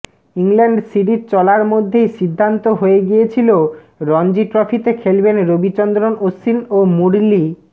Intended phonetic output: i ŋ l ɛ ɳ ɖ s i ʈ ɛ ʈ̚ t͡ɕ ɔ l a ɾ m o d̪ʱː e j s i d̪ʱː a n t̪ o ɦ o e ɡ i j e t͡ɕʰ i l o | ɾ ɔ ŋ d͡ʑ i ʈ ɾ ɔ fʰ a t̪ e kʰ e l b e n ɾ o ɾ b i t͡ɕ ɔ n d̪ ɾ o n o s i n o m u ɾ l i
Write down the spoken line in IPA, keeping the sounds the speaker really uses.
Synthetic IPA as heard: i ŋ l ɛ ɳ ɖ s i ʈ i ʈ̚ t͡ɕ ɔ l a ɾ m o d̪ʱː e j ʃ i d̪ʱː a n t̪ o ɦ o e ɡ i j e t͡ɕʰ i l o | ɾ ɔ n d͡ʑ i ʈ ɾ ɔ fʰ i t̪ e kʰ e l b e n ɾ o b i t͡ɕ ɔ n d̪ ɾ o n o s i n o m u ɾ l i